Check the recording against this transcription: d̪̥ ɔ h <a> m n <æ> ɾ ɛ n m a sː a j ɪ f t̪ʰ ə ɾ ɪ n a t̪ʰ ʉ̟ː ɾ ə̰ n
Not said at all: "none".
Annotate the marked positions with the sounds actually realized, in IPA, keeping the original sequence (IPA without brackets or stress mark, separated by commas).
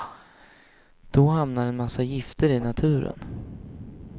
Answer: a, a